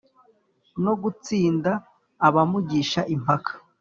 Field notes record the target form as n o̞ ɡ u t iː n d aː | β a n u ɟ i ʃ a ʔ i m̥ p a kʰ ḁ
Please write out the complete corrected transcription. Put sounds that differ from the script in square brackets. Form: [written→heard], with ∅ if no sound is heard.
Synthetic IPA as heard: n o̞ ɡ u [t→t͡s] iː n d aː | β a [n→m] u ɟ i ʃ a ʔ i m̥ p a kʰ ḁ